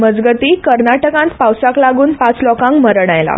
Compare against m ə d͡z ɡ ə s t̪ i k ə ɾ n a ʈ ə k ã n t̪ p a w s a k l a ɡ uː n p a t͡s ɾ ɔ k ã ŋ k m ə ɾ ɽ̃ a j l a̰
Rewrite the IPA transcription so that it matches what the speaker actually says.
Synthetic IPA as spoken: m ə d͡z ɡ ə t̪ i k ə ɾ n a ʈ ə k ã n t̪ p a w s a k l a ɡ uː n p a t͡s l ɔ k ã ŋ k m ə ɾ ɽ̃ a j l a̰